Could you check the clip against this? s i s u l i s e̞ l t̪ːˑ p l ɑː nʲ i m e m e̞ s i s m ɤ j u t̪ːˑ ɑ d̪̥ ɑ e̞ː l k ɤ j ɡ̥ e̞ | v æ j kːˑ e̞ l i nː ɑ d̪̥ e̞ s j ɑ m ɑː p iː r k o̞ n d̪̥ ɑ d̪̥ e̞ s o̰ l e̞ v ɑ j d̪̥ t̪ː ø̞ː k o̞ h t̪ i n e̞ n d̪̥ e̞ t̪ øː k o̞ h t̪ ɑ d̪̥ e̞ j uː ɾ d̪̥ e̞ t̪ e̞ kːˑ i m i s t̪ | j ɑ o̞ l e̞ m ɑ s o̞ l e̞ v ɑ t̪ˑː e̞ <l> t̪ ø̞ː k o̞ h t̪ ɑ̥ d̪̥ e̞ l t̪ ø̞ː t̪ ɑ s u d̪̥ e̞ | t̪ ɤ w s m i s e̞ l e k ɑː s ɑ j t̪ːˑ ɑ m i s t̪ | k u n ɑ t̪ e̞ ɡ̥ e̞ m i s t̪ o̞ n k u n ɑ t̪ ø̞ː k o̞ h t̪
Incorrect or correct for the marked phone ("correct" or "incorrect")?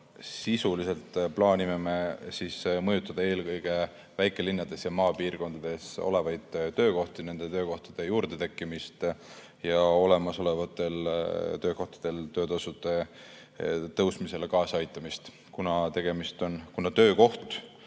correct